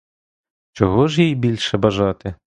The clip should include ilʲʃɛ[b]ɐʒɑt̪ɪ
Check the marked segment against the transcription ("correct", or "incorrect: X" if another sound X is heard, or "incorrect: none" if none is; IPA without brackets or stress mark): correct